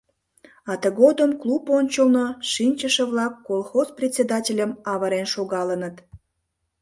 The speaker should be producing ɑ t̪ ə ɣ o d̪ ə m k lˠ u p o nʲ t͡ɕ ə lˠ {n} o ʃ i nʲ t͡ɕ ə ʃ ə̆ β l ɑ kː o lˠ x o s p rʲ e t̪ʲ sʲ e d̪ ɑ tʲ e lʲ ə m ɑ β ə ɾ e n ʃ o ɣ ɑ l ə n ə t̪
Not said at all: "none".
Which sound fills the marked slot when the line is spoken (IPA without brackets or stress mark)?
n